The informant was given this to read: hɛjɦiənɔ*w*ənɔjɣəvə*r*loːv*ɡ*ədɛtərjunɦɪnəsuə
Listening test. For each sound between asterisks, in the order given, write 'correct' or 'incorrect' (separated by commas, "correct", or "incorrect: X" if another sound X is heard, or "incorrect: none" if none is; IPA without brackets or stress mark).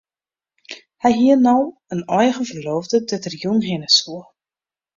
correct, correct, incorrect: d